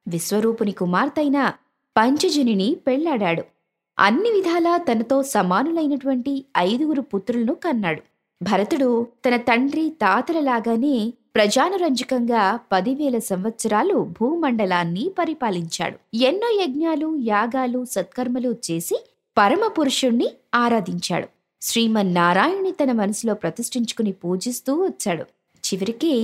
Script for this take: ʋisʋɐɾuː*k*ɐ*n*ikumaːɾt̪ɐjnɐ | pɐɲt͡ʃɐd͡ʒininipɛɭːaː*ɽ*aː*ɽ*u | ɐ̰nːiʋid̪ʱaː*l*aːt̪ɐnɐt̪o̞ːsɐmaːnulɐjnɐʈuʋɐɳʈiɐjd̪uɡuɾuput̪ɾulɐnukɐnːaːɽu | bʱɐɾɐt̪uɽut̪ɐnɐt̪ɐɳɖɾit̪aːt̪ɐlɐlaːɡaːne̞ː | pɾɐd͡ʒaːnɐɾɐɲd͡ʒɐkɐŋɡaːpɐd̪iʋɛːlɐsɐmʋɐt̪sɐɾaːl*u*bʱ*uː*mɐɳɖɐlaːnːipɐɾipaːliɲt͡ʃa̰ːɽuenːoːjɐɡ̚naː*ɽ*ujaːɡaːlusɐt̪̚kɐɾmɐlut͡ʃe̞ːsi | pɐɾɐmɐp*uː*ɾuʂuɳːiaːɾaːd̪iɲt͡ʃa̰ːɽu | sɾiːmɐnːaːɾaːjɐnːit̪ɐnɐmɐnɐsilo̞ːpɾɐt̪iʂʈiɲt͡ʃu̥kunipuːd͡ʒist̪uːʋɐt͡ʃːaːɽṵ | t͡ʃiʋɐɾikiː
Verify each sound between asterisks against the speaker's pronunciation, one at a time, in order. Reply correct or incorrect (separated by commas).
incorrect, correct, correct, correct, correct, correct, correct, incorrect, incorrect